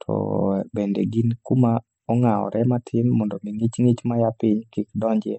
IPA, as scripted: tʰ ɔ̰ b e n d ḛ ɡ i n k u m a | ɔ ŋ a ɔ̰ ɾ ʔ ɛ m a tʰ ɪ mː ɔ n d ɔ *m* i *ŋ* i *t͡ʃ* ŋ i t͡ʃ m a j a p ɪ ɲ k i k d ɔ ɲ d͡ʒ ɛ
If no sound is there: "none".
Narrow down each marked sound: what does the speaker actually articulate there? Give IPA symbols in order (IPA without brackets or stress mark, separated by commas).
m, ŋ, t͡ʃ